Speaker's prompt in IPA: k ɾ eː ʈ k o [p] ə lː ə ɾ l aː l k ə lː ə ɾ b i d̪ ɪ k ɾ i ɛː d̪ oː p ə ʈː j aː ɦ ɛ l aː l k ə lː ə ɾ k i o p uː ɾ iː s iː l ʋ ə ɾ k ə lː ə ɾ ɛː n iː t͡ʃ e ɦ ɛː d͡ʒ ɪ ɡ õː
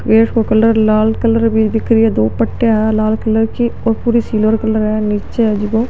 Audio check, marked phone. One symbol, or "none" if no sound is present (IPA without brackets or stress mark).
k